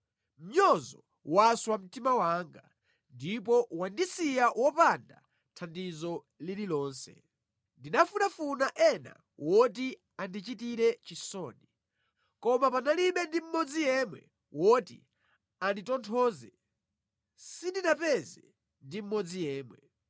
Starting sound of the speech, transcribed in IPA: m̩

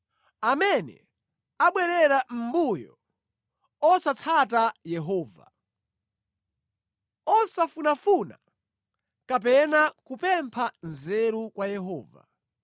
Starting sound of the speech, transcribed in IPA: a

